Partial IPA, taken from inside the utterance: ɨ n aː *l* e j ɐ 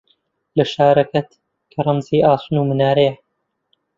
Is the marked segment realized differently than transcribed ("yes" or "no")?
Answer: yes